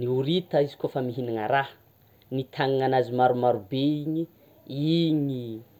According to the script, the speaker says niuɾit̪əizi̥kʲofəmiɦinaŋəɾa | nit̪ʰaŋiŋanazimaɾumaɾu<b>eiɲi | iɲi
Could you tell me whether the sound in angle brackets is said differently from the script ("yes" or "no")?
no